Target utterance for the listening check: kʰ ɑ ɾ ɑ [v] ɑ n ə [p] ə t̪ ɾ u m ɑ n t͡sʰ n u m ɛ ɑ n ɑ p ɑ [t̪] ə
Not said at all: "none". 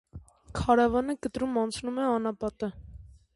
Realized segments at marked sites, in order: v, k, t̪

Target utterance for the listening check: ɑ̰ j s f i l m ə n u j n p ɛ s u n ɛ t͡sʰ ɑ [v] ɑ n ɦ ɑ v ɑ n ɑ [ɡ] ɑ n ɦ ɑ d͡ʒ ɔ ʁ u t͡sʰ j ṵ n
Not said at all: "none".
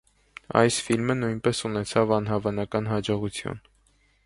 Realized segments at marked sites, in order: v, k

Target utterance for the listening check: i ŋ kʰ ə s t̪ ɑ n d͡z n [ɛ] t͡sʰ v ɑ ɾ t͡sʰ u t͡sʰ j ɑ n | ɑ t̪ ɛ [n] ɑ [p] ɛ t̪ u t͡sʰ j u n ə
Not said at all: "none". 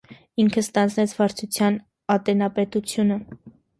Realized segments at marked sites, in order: ɛ, n, p

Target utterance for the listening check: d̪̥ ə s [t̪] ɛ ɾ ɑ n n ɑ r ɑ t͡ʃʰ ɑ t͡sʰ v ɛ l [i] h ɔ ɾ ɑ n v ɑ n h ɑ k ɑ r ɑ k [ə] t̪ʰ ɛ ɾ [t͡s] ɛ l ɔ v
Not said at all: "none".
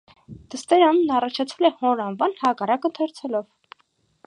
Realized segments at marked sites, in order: t̪, ɛ, ə, t͡sʰ

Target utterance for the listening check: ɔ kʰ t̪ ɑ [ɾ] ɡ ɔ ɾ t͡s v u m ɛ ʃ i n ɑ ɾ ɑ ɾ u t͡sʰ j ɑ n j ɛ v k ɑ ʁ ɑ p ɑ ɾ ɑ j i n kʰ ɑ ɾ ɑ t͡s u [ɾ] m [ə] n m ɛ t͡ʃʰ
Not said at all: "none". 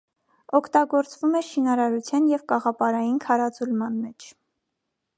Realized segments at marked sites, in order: none, l, ɑ

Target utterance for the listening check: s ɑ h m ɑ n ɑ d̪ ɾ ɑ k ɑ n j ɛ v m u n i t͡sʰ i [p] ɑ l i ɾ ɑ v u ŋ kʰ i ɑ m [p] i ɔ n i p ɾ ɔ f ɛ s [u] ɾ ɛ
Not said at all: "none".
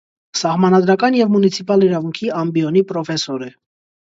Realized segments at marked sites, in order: p, b, ɔ

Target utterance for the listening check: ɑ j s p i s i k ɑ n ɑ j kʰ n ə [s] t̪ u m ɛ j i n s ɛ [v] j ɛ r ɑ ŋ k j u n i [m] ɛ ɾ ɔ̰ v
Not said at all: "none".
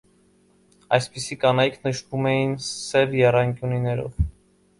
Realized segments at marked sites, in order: ʃ, v, n

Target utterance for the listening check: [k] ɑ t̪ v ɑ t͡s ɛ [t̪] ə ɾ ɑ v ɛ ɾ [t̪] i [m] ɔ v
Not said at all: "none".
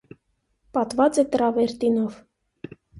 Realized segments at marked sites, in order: p, t̪, t̪, n

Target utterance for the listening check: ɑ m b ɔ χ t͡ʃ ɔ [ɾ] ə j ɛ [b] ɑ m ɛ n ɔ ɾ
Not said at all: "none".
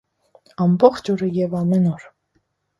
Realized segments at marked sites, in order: ɾ, v

